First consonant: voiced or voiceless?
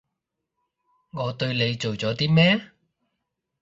voiced